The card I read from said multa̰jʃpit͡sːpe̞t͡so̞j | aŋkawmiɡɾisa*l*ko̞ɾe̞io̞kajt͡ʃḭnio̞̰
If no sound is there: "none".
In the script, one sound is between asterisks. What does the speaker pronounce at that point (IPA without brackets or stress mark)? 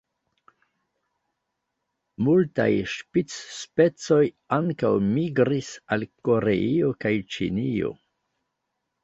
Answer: l